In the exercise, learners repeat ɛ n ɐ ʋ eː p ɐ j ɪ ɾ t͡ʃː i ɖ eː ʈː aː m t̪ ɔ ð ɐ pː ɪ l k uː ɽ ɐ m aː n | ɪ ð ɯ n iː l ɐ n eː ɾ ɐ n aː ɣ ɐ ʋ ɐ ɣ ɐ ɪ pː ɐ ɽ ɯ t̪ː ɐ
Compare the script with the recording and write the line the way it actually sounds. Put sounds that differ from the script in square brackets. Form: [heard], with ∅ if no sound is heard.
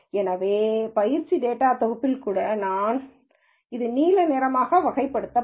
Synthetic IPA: ɛ n ɐ ʋ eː p ɐ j ɪ ɾ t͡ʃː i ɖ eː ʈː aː [∅] t̪ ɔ [ɣ] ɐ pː ɪ l k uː ɽ ɐ [n] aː n | ɪ ð ɯ n iː l ɐ n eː ɾ ɐ [m] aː ɣ ɐ ʋ ɐ ɣ ɐ ɪ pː ɐ ɽ ɯ t̪ː ɐ